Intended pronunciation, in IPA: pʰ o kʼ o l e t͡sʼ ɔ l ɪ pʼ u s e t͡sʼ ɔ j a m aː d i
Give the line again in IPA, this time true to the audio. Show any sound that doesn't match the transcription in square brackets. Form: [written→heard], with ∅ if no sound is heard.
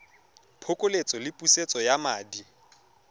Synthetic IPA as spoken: pʰ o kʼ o l e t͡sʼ ɔ l ɪ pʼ u s e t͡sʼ ɔ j a m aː d i